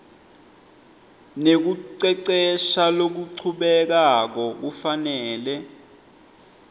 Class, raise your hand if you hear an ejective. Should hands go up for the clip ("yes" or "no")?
no